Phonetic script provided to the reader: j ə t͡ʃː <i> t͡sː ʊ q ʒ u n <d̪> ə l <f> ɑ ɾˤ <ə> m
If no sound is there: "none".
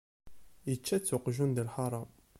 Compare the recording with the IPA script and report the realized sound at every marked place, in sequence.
æ, d̪, ħ, ɑ

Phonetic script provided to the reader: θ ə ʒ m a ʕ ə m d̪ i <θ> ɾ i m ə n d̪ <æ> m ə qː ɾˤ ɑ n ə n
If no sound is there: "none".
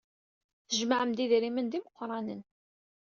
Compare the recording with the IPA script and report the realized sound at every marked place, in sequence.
ð, i

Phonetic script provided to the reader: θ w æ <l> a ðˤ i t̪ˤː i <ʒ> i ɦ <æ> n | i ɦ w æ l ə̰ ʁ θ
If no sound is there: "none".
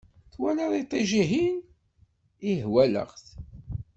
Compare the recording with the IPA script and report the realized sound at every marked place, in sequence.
l, ʒ, i

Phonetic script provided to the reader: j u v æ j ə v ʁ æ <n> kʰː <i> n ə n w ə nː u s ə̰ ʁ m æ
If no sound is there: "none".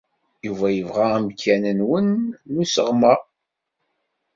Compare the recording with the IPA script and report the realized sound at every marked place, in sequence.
m, æ

